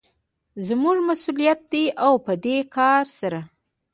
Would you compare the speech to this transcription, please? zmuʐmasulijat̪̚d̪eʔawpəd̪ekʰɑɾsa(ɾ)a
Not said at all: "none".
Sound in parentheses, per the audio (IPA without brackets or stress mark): ɾ